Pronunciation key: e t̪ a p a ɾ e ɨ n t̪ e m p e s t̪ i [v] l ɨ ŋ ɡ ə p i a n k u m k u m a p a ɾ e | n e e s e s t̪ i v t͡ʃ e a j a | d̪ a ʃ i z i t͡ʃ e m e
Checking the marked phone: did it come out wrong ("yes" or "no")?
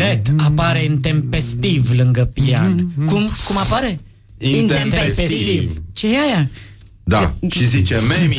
no